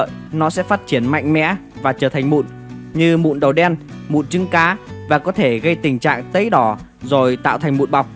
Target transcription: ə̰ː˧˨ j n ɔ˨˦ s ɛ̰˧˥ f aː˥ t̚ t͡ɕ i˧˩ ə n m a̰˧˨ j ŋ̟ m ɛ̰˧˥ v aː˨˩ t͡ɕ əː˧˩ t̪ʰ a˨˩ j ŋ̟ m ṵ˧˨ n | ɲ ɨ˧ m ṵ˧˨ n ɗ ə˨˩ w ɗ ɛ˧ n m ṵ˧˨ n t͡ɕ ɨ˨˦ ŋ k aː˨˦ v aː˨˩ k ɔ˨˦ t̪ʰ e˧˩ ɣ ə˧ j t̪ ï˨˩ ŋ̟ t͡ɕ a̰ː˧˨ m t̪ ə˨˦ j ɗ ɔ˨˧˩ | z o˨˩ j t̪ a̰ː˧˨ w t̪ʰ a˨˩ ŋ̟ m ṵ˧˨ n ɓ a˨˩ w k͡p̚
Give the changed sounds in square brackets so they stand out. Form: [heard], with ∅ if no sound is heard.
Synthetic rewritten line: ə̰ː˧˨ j n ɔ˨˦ s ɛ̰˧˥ f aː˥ t̚ t͡ɕ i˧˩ ə n m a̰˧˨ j ŋ̟ m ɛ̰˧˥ v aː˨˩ t͡ɕ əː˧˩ t̪ʰ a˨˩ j ŋ̟ m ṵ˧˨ n | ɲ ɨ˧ m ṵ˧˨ n ɗ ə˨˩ w ɗ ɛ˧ n m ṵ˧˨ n t͡ɕ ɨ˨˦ ŋ k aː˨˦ v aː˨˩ k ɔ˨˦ t̪ʰ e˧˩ ɣ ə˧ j t̪ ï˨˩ ŋ̟ t͡ɕ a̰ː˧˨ [ŋ] t̪ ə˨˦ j ɗ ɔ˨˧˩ | z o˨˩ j t̪ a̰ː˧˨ w t̪ʰ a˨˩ ŋ̟ m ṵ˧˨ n ɓ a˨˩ w k͡p̚